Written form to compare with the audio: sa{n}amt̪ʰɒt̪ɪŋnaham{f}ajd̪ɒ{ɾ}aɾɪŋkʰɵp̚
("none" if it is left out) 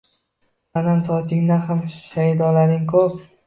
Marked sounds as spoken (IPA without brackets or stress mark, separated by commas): n, ʃ, l